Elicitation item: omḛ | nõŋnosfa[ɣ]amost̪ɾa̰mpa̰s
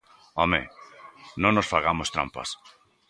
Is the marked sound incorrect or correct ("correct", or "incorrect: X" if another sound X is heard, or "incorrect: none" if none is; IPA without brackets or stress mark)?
correct